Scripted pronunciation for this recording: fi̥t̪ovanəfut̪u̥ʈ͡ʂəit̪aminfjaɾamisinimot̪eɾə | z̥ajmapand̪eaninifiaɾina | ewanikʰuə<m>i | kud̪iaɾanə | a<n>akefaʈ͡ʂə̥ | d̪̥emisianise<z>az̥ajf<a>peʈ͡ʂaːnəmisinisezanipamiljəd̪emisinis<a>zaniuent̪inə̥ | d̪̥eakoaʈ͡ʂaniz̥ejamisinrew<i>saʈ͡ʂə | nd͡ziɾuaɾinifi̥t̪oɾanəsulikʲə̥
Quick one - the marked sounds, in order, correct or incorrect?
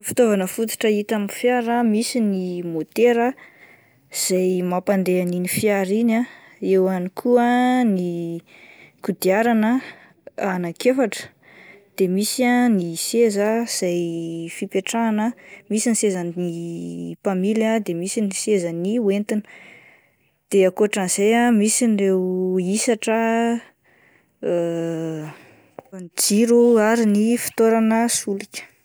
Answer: incorrect: n, correct, correct, incorrect: i, incorrect: e, correct

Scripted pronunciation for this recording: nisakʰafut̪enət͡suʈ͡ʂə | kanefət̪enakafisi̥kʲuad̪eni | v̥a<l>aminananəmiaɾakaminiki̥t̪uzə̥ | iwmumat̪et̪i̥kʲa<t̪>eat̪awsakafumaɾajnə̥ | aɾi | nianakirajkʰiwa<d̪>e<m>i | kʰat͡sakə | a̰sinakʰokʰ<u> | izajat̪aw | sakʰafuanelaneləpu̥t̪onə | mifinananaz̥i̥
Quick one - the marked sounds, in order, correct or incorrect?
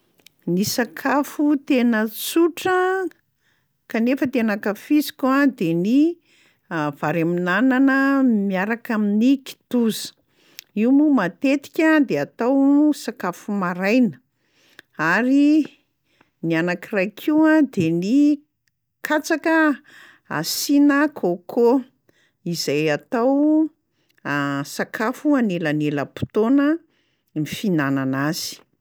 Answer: incorrect: ɾ, incorrect: d̪, correct, incorrect: n, incorrect: o

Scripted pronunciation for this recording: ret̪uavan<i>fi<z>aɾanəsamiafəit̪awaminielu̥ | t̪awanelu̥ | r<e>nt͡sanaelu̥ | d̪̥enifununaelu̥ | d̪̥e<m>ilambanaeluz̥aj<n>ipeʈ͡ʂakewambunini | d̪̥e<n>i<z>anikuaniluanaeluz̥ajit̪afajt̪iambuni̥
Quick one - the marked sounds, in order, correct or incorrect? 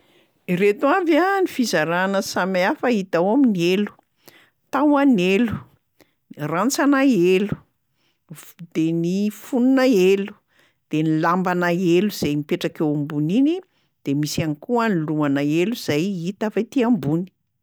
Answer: correct, correct, incorrect: a, incorrect: n, incorrect: m, incorrect: m, incorrect: s

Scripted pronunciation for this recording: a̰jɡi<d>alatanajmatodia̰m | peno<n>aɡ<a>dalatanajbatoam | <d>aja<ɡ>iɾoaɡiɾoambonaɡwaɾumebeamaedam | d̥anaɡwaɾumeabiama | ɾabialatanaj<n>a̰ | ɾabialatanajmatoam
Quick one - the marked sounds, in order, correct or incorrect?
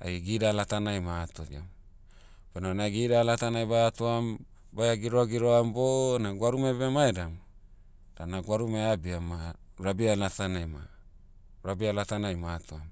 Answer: correct, correct, incorrect: i, incorrect: b, correct, incorrect: m

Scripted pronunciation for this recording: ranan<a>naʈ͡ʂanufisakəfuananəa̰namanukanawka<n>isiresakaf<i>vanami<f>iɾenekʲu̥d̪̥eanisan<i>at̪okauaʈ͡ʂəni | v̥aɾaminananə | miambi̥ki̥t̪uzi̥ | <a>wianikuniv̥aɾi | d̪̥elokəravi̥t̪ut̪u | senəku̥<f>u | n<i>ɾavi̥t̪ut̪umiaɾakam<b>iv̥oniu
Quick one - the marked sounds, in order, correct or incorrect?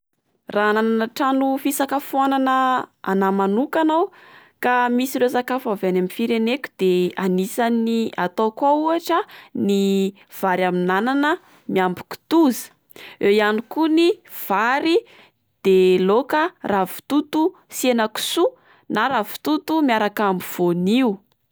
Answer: correct, incorrect: m, incorrect: a, correct, correct, incorrect: e, incorrect: s, incorrect: a, correct

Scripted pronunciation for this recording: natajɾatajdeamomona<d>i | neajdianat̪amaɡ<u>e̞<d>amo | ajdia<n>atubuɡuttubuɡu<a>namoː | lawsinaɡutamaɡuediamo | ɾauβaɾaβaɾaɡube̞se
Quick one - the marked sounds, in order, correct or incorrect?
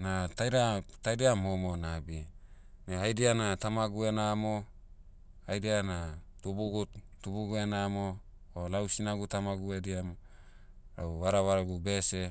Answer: incorrect: b, correct, incorrect: n, correct, incorrect: e

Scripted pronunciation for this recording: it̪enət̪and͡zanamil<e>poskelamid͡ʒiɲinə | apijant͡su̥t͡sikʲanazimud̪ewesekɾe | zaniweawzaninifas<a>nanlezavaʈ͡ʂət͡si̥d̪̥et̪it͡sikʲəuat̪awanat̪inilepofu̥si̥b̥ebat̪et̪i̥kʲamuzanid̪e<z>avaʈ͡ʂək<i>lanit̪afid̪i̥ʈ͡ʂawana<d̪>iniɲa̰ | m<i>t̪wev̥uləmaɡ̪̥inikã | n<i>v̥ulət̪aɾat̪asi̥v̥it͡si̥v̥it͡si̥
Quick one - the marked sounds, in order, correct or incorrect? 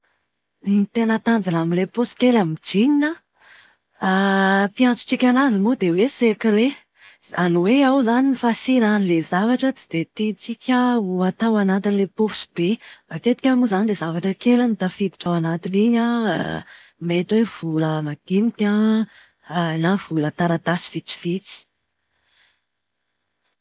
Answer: correct, incorrect: i, correct, incorrect: e, incorrect: t̪, incorrect: e, incorrect: a

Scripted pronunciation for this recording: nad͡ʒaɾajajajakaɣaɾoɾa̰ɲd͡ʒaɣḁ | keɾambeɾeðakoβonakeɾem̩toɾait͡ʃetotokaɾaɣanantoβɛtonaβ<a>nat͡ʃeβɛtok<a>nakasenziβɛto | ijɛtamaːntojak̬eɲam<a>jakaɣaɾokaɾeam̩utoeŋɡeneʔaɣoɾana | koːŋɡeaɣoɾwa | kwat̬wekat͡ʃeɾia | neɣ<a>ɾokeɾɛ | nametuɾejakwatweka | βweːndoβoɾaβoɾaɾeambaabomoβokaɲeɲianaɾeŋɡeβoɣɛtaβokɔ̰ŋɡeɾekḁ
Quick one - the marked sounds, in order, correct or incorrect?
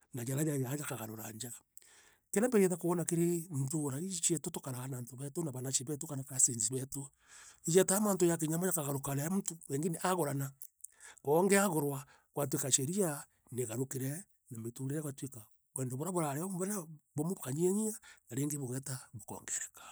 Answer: correct, correct, correct, correct

